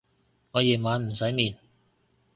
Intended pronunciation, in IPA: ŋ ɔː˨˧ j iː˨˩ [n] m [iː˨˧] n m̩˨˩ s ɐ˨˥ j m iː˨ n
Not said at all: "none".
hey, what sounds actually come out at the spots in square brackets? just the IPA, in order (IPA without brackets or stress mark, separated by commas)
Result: n, aː˨˧